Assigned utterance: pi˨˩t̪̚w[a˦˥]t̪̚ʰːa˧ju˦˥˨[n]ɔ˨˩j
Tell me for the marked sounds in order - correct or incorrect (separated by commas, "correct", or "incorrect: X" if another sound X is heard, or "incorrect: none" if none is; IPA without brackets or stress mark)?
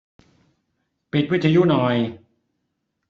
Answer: incorrect: i˦˥, correct